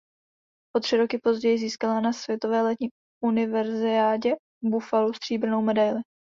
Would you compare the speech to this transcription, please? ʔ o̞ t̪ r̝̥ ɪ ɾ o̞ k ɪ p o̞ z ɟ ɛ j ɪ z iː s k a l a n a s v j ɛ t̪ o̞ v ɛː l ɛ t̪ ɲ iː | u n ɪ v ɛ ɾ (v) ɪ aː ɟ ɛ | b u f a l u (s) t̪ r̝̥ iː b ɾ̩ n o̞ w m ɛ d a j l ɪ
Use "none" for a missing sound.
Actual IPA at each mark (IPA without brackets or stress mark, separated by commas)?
z, s